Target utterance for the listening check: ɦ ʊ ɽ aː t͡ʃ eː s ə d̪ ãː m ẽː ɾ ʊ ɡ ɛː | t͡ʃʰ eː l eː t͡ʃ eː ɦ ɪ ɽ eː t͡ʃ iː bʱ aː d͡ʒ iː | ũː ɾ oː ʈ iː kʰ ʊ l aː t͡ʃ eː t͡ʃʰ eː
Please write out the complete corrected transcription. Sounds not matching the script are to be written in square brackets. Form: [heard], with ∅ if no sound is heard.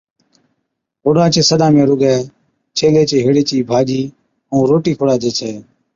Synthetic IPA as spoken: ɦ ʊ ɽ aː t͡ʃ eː s ə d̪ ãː m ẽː ɾ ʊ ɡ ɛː | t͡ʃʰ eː l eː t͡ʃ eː ɦ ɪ ɽ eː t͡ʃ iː bʱ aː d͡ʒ iː | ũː ɾ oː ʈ iː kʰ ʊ [ɽ] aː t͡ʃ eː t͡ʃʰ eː

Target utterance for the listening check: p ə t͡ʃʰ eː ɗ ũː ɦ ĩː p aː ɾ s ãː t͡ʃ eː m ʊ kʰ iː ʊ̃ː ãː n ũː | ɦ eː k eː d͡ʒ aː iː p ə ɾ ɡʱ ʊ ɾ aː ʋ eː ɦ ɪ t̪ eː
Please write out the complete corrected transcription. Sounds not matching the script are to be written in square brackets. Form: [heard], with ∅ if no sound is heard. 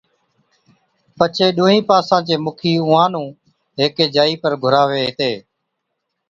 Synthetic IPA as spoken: p ə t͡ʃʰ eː ɗ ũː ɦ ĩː p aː [∅] s ãː t͡ʃ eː m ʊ kʰ iː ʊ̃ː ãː n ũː | ɦ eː k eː d͡ʒ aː iː p ə ɾ ɡʱ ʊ ɾ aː ʋ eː ɦ ɪ t̪ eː

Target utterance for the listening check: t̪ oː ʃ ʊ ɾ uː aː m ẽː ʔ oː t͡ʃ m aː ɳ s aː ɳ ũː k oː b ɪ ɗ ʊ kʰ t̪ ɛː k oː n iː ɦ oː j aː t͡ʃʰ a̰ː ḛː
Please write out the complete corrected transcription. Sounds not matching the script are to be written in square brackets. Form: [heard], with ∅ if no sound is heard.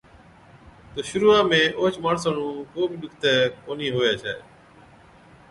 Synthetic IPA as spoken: t̪ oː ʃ ʊ ɾ uː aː m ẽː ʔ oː t͡ʃ m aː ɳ s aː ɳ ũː k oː b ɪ ɗ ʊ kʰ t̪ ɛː k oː n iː ɦ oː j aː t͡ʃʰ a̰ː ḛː

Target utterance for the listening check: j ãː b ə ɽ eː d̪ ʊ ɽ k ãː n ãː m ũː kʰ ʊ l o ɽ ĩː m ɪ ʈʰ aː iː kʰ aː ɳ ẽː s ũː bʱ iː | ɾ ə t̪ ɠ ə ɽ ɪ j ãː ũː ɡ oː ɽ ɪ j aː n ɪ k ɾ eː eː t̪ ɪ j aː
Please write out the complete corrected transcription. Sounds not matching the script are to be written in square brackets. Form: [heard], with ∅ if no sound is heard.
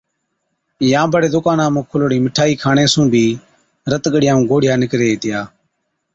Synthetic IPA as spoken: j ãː b ə ɽ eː d̪ ʊ [∅] k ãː n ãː m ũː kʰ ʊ l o ɽ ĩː m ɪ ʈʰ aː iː kʰ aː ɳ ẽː s ũː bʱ iː | ɾ ə t̪ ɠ ə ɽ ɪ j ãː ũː ɡ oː ɽ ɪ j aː n ɪ k ɾ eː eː t̪ ɪ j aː

